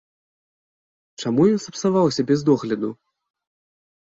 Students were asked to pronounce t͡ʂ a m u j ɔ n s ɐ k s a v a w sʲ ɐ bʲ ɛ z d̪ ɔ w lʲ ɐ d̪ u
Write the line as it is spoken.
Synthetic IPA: t͡ʂ a m u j ɔ n s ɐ p s a v a w sʲ ɐ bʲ ɛ z d̪ ɔ ɣ lʲ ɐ d̪ u